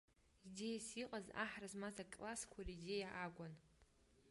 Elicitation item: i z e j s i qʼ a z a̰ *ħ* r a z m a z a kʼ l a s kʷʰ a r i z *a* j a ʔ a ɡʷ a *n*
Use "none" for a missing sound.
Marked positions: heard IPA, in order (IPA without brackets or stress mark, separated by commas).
ħ, e, n